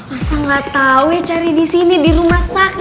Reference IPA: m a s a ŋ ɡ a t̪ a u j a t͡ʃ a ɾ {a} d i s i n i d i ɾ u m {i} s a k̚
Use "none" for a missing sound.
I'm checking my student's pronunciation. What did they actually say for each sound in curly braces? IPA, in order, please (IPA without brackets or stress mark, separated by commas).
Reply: i, a